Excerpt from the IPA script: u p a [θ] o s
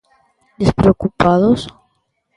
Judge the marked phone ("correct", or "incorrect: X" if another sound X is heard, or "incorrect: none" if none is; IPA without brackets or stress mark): incorrect: ð